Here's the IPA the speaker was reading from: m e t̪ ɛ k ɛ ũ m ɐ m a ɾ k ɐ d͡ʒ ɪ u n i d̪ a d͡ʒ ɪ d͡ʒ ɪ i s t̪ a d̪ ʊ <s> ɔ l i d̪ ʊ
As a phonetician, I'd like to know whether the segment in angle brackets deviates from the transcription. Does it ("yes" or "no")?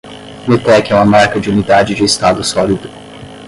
no